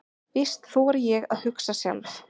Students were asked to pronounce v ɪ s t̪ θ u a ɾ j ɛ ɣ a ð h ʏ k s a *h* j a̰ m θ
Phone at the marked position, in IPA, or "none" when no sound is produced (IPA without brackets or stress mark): s